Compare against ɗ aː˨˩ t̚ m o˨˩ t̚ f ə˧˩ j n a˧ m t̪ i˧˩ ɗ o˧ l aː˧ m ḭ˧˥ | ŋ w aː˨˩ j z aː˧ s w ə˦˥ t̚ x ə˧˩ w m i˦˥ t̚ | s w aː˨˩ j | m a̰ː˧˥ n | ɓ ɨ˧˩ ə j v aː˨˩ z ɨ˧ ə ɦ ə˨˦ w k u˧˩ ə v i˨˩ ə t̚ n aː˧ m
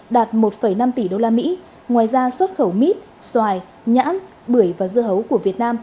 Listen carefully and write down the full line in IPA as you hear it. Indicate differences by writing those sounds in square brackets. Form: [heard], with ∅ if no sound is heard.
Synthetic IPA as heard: ɗ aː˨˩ t̚ m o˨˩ t̚ f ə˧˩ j n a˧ m t̪ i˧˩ ɗ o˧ l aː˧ m ḭ˧˥ | ŋ w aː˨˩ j z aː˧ s w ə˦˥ t̚ x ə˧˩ w m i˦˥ t̚ | s w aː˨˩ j | [ɲ] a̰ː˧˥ n | ɓ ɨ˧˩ ə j v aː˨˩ z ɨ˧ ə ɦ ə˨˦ w k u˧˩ ə v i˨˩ ə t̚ n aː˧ m